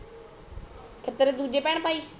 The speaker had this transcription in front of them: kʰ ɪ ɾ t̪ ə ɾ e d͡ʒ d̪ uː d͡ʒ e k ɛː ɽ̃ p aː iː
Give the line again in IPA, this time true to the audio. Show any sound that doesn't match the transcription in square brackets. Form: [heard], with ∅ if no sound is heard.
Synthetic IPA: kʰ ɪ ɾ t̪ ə ɾ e [∅] d̪ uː d͡ʒ e [p] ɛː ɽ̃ p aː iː